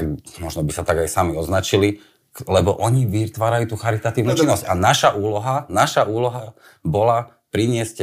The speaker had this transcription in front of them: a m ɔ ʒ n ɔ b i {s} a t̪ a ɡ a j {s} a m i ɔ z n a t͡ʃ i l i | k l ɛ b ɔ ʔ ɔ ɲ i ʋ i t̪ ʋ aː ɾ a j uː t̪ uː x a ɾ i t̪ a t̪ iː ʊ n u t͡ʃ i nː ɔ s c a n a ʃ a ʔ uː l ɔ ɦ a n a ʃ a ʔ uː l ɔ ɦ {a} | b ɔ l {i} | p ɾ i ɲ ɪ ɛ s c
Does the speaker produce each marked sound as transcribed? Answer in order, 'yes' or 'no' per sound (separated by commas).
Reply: yes, yes, yes, no